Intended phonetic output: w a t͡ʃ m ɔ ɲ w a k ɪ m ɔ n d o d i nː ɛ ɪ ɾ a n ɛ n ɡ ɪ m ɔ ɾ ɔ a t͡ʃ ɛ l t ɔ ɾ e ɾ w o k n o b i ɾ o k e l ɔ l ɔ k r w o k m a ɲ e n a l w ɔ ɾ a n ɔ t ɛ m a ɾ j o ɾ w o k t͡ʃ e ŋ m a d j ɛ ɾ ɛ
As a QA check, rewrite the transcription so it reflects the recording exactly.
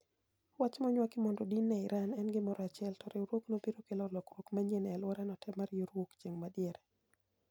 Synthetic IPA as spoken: w a t͡ʃ m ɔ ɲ w a k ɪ m ɔ n d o d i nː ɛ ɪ ɾ a n ɛ n ɡ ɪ m ɔ ɾ ɔ a t͡ʃ ɛ l t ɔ ɾ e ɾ w o k n o b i ɾ o k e l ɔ l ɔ k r w o k m a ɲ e n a l w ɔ ɾ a n ɔ t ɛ m a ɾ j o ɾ w o k t͡ʃ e ŋ m a d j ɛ ɾ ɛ